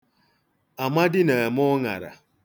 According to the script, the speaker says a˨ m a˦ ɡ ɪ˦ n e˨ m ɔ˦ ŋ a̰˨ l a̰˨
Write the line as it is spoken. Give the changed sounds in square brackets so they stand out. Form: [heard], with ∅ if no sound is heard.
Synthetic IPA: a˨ m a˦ [d] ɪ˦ n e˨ m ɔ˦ ŋ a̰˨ [ɾ] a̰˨